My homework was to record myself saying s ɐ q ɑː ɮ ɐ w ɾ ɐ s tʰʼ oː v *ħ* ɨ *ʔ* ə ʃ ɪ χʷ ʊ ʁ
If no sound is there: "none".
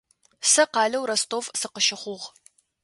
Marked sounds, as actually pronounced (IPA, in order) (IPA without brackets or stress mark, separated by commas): s, q